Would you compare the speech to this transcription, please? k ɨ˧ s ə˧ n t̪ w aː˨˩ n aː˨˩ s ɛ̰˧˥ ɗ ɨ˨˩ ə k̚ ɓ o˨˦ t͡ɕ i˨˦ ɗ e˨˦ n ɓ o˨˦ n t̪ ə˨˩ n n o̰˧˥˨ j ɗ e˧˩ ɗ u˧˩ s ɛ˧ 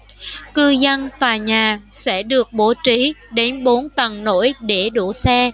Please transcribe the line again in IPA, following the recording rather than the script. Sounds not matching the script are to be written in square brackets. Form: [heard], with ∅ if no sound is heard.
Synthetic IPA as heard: k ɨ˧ [z] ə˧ n t̪ w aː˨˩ [ɲ] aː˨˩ s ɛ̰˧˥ ɗ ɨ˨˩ ə k̚ ɓ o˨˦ t͡ɕ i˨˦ ɗ e˨˦ n ɓ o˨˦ n t̪ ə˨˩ n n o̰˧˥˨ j ɗ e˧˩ ɗ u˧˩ s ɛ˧